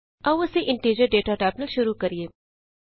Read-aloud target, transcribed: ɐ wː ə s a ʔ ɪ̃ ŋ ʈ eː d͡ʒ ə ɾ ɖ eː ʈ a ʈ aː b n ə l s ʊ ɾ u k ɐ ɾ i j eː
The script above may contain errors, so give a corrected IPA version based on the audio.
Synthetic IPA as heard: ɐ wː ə s e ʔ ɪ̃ ɳ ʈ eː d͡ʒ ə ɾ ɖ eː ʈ a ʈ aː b n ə l ʃ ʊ ɾ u k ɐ ɾ i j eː